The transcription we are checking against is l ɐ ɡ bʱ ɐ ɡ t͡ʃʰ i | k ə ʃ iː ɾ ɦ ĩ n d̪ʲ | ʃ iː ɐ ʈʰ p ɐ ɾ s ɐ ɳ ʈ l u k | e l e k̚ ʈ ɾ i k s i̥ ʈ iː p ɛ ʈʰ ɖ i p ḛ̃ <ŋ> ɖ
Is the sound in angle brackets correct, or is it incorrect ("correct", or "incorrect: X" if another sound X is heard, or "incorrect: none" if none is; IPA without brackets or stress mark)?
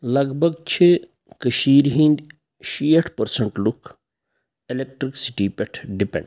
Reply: incorrect: ɳ